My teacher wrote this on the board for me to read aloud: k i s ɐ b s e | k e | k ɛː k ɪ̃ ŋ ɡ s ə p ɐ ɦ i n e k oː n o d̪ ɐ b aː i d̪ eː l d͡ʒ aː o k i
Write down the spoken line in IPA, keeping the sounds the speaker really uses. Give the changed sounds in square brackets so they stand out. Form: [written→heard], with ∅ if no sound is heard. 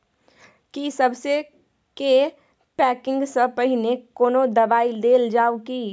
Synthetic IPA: k i s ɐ b s e | k e | [k→p] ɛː k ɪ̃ ŋ ɡ s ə p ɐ ɦ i n e k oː n o d̪ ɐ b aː i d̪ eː l d͡ʒ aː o k i